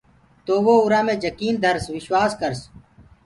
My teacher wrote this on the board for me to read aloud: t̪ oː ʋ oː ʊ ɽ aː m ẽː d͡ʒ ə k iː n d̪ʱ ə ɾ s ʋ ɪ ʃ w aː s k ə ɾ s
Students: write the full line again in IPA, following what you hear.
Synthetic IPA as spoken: t̪ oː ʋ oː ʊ ɾ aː m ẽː d͡ʒ ə k iː n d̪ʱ ə ɾ s ʋ ɪ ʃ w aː s k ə ɾ s